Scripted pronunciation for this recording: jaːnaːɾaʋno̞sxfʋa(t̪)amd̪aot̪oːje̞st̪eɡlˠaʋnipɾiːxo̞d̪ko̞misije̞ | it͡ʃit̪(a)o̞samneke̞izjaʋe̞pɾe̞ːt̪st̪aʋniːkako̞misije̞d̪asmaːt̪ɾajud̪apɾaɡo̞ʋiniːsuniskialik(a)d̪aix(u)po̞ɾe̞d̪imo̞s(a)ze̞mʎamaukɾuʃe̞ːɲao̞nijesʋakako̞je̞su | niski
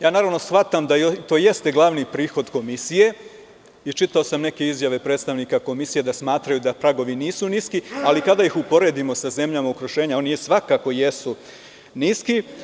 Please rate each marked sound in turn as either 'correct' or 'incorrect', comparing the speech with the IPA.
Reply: correct, correct, correct, correct, correct

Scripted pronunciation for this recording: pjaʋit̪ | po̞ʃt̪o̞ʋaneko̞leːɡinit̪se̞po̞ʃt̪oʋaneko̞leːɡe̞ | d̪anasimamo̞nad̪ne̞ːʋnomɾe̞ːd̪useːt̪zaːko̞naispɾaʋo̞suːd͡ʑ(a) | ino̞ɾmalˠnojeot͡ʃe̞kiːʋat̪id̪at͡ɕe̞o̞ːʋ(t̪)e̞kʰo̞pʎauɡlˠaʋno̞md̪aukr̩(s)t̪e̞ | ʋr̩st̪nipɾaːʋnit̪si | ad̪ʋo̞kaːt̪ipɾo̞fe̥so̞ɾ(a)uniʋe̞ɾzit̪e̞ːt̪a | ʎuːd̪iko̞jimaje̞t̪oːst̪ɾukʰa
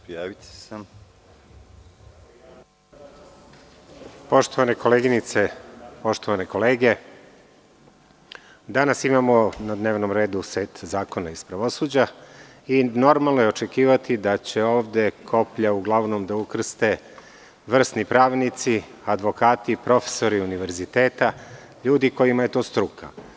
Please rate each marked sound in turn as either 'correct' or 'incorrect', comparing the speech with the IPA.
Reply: correct, incorrect: d̪, correct, incorrect: i

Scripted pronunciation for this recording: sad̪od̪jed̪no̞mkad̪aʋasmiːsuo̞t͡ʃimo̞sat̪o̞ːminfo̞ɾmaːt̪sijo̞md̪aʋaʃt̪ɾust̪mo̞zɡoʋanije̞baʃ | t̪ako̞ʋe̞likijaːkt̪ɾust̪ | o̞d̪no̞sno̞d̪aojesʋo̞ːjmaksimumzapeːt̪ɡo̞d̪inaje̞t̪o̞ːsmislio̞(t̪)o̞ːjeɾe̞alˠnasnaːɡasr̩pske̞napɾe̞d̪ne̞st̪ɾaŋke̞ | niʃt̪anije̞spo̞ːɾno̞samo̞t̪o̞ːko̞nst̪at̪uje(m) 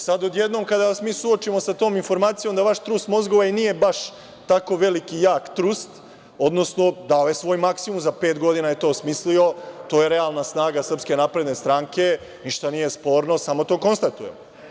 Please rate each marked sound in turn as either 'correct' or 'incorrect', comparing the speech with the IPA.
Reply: correct, correct

